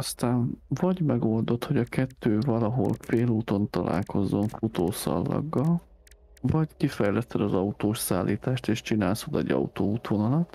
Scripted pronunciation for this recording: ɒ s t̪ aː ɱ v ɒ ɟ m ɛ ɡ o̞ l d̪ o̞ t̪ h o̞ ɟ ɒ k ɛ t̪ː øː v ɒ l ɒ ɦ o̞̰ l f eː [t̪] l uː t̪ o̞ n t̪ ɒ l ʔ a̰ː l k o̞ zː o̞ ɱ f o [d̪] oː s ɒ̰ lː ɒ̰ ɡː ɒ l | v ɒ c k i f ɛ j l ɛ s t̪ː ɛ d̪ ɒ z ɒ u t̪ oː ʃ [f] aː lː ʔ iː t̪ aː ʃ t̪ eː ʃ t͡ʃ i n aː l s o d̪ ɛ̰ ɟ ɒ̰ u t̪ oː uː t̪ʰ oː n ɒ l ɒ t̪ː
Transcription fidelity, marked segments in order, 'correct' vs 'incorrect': incorrect: none, incorrect: t̪, incorrect: s

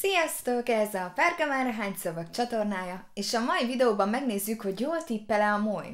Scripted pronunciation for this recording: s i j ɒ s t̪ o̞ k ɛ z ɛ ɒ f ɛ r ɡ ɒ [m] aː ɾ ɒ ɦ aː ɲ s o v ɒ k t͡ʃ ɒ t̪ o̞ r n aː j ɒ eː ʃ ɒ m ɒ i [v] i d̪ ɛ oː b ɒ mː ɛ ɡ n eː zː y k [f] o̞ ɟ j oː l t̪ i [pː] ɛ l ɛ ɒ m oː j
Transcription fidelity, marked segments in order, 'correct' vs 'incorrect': correct, correct, incorrect: h, correct

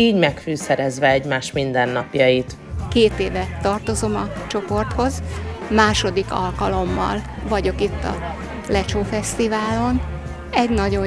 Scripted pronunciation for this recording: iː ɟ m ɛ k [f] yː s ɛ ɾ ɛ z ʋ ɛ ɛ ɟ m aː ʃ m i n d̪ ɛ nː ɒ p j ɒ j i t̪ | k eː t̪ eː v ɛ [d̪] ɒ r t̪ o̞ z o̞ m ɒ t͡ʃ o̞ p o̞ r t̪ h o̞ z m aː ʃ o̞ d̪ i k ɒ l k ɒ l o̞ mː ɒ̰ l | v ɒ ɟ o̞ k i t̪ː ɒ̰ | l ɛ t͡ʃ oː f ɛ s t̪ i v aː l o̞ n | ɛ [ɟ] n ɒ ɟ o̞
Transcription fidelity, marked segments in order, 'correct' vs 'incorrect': correct, incorrect: t̪, correct

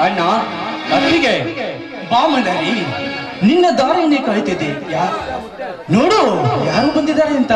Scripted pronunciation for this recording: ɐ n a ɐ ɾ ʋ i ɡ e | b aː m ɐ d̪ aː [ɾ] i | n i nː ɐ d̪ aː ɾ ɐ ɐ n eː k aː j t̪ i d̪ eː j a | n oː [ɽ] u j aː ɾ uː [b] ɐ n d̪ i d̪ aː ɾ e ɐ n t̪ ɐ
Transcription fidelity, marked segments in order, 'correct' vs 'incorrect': correct, correct, correct

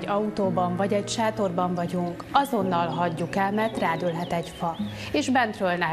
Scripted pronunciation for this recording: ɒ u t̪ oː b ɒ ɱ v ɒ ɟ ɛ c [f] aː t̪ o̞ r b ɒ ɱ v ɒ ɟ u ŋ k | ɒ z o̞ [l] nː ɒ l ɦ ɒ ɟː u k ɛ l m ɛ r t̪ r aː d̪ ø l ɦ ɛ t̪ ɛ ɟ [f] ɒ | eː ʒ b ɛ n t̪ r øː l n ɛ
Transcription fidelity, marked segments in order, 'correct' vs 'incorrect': incorrect: ʃ, incorrect: none, correct

